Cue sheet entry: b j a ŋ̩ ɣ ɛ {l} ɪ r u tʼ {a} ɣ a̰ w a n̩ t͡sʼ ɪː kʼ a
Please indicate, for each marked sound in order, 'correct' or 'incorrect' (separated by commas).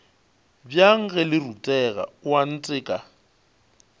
correct, incorrect